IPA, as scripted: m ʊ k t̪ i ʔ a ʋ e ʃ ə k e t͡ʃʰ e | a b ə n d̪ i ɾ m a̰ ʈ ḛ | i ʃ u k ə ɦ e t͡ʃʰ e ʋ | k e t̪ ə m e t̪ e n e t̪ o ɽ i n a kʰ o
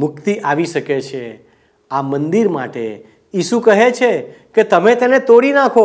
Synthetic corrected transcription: m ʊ k t̪ i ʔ a ʋ i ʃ ə k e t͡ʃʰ e | a m ə n d̪ i ɾ m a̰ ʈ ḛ | i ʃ u k ə ɦ e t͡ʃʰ e | k e t̪ ə m e t̪ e n e t̪ o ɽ i n a kʰ o